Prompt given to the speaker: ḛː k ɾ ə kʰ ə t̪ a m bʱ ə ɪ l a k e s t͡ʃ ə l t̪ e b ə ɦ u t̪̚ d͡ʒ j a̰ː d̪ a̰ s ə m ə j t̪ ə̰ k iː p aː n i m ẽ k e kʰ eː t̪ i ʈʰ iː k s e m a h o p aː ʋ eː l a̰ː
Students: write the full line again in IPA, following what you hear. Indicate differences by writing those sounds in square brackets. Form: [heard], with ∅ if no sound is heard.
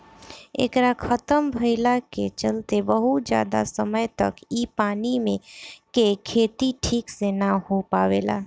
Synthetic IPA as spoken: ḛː k ɾ [a] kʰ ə t̪ [ə] m bʱ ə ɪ l a k e [∅] t͡ʃ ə l t̪ e b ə ɦ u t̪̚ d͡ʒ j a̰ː d̪ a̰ s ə m ə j t̪ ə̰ k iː p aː n i m ẽ k e kʰ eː t̪ i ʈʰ iː k s e [n] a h o p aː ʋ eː l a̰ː